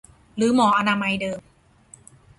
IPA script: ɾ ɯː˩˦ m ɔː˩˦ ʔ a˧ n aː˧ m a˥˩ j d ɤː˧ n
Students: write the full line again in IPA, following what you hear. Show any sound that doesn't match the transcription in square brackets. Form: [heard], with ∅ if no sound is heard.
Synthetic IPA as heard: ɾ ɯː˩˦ m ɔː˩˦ ʔ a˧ n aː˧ m [a˧] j d ɤː˧ [m]